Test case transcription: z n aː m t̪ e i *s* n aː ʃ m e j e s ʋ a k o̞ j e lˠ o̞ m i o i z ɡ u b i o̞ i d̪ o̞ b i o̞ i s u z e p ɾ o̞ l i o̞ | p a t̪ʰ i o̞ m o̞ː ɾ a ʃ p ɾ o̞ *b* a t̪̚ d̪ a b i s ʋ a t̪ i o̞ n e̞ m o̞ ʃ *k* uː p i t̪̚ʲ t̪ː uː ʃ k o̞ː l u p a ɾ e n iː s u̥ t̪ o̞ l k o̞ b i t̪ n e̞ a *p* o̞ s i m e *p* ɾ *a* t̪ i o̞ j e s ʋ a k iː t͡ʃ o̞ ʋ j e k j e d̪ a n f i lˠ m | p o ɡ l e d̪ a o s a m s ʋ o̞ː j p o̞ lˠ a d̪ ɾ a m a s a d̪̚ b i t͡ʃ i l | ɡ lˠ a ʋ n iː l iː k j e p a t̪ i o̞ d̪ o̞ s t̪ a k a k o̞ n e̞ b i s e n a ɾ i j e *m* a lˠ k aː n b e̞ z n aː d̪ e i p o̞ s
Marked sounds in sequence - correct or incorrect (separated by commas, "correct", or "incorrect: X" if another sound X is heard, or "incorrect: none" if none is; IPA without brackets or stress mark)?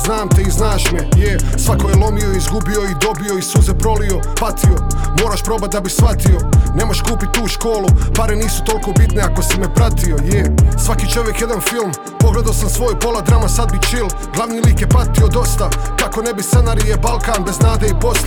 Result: incorrect: z, correct, correct, incorrect: k, correct, correct, incorrect: b